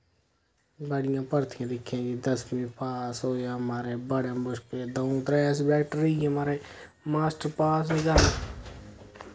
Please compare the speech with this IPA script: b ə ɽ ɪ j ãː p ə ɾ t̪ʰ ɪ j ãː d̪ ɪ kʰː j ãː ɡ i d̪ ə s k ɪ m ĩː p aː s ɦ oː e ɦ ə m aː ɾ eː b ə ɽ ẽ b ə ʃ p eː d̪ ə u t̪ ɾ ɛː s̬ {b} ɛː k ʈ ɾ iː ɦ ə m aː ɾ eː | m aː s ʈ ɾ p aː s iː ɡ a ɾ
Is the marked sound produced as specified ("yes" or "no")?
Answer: yes